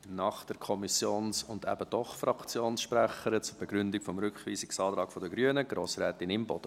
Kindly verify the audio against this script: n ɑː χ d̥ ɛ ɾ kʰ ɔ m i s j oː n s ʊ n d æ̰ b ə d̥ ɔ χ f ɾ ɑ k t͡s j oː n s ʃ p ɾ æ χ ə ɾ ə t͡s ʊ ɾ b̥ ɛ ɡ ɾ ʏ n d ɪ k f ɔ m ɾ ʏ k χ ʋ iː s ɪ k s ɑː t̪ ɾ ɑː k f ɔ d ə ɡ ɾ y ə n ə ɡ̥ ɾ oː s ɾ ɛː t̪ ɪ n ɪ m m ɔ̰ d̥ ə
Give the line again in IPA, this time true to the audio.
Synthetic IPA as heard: n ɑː χ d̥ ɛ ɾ kʰ ɔ m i s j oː n s ʊ n d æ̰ b ə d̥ ɔ χ f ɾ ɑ k t͡s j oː n s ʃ p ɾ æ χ ə ɾ ə t͡s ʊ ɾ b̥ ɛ ɡ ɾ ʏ n d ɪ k f ɔ m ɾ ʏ k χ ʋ iː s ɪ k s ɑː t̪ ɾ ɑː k f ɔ d ə ɡ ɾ y ə n ə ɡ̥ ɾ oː s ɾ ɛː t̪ ɪ n ɪ m b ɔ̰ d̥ ə